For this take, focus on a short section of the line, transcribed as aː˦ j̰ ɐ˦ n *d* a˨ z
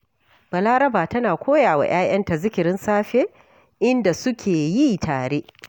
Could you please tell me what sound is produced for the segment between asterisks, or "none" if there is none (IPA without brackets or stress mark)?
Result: t